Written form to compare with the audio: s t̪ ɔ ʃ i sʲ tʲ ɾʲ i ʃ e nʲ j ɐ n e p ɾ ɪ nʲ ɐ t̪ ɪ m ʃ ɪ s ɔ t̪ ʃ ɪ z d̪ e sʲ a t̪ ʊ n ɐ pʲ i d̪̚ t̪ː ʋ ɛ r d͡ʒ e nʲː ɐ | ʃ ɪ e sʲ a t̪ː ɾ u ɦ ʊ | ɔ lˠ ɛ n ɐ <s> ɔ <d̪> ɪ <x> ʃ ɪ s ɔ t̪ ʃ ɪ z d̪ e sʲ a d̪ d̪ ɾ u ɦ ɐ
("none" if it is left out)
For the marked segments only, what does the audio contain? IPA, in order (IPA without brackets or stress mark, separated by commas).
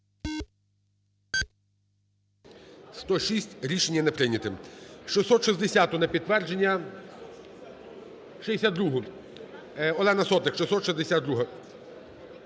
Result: s, t̪, k